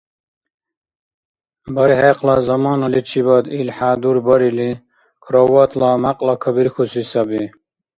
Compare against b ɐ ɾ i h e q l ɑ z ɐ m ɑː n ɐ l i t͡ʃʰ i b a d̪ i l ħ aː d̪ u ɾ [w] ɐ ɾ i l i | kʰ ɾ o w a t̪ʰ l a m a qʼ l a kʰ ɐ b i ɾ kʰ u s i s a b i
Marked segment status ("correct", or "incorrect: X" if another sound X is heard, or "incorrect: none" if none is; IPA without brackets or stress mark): incorrect: b